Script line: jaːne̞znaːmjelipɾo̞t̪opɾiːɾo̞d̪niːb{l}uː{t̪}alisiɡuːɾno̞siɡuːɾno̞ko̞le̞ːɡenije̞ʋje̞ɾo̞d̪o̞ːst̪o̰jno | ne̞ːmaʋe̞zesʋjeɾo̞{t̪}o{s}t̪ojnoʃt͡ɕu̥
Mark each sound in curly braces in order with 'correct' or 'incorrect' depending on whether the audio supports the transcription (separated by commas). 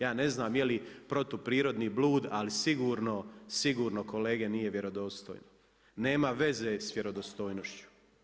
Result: correct, incorrect, incorrect, correct